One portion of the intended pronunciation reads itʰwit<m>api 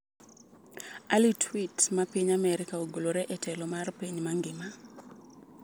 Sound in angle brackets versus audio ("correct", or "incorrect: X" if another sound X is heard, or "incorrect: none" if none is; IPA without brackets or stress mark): correct